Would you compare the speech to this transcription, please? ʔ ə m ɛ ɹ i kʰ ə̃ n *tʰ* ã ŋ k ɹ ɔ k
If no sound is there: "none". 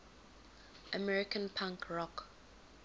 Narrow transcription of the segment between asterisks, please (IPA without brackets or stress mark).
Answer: pʰ